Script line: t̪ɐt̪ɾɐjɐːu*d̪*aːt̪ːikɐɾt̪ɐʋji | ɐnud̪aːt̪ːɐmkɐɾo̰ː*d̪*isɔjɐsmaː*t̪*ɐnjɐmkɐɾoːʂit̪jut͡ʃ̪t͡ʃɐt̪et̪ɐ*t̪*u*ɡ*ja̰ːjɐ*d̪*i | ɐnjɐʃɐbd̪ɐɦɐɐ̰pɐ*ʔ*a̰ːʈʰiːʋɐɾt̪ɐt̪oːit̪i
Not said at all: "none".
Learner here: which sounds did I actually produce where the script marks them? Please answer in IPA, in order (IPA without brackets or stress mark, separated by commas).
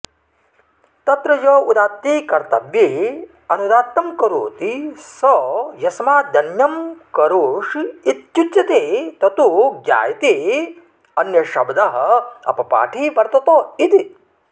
d̪, t̪, d̪, t̪, ɡ, t̪, p